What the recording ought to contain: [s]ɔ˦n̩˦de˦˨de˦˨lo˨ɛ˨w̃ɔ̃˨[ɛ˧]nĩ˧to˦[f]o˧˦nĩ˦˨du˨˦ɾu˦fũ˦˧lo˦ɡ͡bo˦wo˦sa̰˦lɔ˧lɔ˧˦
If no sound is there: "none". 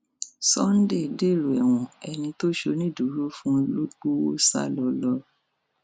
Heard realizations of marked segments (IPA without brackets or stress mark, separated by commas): s, ɛ˧, ʃ